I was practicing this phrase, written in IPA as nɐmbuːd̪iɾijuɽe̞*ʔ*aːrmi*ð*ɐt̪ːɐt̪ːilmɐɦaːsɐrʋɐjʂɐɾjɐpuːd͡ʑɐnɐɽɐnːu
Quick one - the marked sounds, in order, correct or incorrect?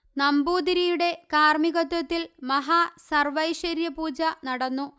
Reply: incorrect: k, incorrect: ɣ

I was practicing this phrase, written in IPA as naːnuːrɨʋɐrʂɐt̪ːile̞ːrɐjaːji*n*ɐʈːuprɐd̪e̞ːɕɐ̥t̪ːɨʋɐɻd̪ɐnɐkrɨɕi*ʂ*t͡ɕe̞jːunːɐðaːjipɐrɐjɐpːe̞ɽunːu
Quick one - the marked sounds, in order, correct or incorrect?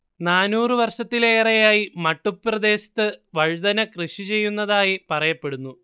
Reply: incorrect: m, incorrect: none

